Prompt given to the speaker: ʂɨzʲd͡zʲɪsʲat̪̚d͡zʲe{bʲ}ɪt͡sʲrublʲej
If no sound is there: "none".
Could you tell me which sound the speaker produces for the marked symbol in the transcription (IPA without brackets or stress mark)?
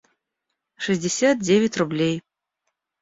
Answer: vʲ